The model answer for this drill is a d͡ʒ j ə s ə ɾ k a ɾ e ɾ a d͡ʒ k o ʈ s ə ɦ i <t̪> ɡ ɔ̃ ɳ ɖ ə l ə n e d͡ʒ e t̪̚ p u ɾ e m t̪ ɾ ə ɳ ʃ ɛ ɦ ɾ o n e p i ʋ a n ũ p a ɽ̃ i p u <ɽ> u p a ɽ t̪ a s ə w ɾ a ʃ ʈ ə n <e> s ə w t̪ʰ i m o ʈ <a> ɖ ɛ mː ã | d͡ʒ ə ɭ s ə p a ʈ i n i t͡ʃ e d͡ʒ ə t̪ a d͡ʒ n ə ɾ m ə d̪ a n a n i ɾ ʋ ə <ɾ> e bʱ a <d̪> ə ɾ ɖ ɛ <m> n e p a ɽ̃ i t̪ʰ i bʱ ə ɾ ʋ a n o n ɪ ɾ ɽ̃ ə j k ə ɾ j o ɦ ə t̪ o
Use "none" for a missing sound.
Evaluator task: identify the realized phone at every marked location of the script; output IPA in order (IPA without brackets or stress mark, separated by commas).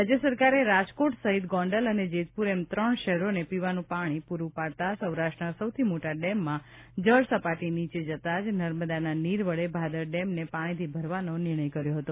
t̪, ɾ, a, a, ɭ, d̪, m